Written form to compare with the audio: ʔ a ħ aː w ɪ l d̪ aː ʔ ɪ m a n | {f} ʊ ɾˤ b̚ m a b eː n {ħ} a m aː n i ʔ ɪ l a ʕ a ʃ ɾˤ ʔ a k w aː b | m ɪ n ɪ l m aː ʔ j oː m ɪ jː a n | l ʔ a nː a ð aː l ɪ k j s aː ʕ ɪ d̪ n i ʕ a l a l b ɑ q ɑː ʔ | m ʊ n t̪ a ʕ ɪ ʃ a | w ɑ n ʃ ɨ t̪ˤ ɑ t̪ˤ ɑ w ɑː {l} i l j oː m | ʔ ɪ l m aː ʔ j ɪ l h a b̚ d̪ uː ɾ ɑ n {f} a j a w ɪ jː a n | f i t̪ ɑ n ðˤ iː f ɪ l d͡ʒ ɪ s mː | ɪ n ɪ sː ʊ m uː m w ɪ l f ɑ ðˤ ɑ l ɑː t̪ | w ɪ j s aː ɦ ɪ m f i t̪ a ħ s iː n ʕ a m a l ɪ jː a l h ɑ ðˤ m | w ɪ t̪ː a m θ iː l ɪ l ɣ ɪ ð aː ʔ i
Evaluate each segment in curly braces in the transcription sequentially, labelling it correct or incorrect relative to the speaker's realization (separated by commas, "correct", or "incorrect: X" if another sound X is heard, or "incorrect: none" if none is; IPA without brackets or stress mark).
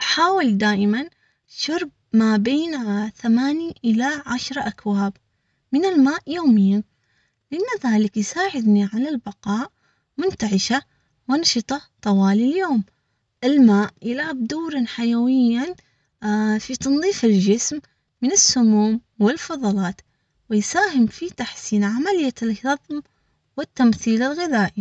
incorrect: ʃ, incorrect: θ, correct, incorrect: ħ